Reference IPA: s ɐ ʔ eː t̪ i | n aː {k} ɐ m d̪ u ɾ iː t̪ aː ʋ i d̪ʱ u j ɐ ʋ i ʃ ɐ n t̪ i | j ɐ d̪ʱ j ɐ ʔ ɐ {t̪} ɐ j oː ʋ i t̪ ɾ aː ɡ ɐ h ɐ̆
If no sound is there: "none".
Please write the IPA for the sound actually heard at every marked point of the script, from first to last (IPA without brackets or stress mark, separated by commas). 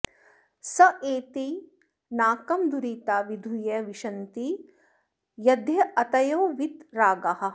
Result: k, t̪